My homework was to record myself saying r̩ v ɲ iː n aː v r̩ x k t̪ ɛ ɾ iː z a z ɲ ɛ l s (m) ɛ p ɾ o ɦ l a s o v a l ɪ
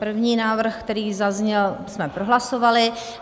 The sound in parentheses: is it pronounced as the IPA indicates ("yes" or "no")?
yes